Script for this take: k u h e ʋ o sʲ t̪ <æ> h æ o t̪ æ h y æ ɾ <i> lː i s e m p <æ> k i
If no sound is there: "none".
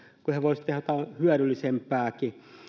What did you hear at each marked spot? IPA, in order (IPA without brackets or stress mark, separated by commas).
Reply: e, y, æː